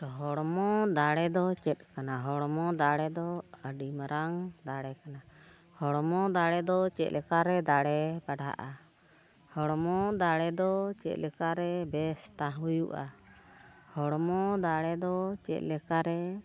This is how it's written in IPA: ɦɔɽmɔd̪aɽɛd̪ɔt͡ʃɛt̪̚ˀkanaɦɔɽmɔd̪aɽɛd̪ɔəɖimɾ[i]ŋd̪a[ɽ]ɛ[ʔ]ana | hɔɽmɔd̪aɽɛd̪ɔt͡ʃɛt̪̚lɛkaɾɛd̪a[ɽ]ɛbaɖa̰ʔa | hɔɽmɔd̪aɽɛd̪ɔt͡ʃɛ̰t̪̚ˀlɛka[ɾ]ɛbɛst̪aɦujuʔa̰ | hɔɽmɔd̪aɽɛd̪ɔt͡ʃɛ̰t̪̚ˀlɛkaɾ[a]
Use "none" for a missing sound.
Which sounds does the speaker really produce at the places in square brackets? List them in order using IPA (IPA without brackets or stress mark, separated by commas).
a, ɽ, k, ɽ, ɾ, ɛ